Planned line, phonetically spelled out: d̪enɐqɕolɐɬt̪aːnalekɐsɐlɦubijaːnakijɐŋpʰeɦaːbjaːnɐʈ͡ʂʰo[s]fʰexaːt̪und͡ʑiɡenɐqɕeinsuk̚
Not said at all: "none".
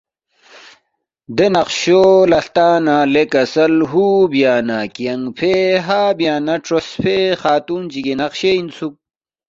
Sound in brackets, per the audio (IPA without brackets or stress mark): s